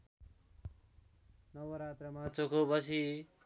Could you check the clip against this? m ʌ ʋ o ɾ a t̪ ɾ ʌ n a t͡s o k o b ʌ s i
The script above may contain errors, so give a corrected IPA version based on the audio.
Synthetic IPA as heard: n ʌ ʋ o ɾ a t̪ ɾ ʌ m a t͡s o k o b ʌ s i